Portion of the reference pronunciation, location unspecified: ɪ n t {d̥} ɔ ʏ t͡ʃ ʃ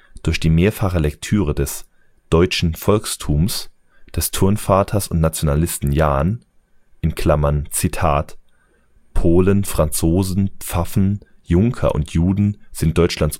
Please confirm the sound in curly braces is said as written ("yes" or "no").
yes